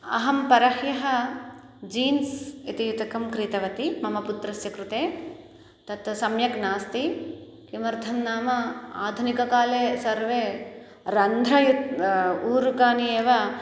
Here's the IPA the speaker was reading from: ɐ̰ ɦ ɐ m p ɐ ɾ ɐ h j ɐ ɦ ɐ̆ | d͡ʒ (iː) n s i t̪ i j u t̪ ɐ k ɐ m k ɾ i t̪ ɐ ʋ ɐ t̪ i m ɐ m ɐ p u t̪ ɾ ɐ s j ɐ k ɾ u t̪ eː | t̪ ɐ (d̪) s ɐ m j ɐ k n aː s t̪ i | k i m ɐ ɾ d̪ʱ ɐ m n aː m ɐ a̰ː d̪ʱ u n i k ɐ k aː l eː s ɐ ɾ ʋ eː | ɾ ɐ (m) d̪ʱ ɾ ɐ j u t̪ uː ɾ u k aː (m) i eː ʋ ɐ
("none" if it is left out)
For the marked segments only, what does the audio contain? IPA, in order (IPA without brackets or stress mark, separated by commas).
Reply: iː, t̪, n, n